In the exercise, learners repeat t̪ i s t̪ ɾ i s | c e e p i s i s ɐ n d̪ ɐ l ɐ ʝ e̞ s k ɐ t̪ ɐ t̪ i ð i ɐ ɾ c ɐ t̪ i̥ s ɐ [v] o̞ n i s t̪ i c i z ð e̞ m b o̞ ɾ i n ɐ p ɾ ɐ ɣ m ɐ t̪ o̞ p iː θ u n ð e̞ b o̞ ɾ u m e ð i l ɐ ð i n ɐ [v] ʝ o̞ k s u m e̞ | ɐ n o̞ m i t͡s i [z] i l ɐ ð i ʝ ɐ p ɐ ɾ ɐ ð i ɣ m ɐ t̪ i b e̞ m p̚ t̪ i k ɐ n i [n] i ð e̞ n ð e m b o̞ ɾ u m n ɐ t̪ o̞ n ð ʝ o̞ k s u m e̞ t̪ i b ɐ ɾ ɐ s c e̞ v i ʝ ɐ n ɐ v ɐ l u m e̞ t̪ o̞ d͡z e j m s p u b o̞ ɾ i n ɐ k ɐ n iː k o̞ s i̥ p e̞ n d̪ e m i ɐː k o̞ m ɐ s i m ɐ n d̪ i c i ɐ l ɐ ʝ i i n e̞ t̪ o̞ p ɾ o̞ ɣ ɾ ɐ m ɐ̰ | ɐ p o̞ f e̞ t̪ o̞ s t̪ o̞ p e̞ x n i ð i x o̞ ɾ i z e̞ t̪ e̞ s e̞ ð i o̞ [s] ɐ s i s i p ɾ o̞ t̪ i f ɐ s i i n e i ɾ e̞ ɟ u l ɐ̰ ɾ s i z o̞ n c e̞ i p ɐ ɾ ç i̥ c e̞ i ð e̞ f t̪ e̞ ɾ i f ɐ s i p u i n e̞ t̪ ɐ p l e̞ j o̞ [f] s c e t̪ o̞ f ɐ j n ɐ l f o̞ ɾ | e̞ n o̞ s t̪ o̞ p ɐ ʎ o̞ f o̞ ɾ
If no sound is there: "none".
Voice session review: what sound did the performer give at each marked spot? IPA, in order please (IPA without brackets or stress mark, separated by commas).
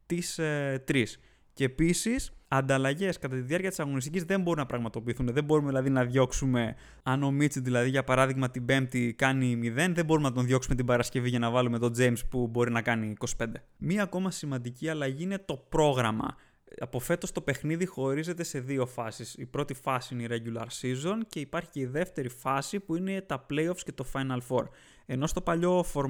ɣ, ð, ð, m, f, f